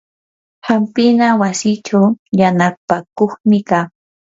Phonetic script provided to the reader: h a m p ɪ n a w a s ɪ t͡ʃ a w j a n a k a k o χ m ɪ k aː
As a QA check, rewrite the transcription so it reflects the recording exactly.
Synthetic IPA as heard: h a m p ɪ n a w a s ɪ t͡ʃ a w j a n a p a k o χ m ɪ k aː